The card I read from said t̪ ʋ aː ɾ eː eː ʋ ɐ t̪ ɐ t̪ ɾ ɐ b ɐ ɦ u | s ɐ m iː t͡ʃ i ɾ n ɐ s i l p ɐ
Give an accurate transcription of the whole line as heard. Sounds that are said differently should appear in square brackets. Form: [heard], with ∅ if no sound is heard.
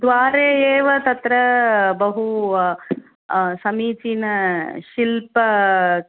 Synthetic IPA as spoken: [d̪] ʋ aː ɾ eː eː ʋ ɐ t̪ ɐ t̪ ɾ ɐ b ɐ ɦ u | s ɐ m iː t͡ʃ i [∅] n ɐ [ʃ] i l p ɐ